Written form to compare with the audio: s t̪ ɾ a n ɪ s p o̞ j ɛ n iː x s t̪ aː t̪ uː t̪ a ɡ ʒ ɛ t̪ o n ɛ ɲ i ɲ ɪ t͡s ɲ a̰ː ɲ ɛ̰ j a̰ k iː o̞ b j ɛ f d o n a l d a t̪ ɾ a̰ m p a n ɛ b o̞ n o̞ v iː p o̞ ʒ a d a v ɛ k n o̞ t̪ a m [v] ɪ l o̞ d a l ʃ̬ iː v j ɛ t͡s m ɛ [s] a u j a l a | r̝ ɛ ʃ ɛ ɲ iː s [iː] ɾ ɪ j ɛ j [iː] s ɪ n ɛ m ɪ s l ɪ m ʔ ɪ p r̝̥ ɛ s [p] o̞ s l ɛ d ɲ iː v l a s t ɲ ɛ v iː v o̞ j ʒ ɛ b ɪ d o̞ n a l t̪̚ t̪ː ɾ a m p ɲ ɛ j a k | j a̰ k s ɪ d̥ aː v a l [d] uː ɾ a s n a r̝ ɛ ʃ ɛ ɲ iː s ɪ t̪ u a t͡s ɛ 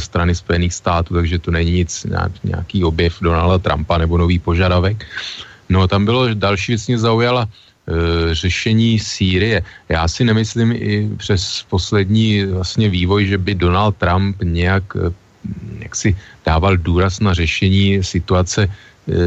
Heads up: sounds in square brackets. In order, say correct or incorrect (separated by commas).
incorrect, incorrect, correct, incorrect, correct, correct